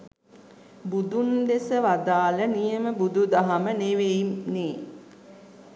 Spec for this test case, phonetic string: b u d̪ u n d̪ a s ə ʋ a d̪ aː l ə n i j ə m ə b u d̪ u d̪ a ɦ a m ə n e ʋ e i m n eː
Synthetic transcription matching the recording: b u d̪ u n d̪ e s ə ʋ a d̪ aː l ə n i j ə m ə b u d̪ u d̪ a ɦ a m ə n e ʋ e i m n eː